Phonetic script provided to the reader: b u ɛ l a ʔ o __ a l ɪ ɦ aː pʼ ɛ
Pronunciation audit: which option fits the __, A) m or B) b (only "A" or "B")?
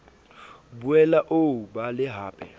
B